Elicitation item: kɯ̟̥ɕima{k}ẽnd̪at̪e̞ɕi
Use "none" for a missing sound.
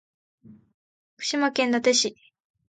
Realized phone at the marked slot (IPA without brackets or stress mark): k